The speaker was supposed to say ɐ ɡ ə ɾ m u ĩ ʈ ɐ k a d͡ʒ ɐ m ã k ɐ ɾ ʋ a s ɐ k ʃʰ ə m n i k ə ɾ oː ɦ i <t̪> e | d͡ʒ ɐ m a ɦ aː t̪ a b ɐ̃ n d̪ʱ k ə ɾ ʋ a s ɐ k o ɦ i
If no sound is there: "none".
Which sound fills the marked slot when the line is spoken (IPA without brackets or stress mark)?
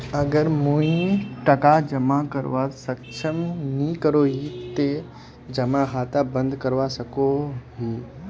t̪